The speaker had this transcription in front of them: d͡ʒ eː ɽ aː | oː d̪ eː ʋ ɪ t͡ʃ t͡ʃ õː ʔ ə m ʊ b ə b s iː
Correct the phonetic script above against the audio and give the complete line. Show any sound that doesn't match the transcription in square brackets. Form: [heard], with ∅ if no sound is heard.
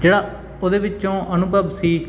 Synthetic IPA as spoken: d͡ʒ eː ɽ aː | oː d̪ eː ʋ ɪ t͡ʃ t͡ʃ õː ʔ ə [n] ʊ b ə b s iː